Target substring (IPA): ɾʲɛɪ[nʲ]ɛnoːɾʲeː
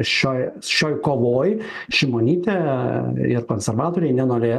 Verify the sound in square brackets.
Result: correct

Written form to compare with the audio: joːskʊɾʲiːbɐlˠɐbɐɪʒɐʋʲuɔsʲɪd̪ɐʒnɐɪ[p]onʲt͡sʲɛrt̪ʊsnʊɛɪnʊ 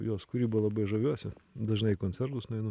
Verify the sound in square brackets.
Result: incorrect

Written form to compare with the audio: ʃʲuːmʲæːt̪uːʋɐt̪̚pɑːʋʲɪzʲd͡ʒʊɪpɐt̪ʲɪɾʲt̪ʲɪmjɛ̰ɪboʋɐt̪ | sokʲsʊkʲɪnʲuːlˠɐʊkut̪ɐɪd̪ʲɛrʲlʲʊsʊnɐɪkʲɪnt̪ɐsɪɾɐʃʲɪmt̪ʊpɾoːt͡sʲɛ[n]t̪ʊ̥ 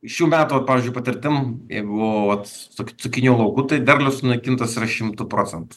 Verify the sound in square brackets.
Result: correct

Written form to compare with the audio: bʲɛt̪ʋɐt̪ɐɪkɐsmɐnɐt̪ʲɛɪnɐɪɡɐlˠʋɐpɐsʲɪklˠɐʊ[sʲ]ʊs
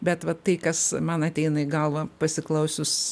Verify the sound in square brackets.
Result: correct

